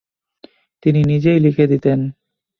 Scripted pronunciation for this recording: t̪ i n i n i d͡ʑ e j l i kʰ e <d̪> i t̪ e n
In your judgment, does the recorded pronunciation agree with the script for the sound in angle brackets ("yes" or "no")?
yes